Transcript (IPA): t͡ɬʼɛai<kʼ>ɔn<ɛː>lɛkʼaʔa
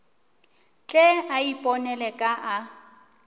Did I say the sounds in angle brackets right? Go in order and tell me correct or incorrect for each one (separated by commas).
incorrect, incorrect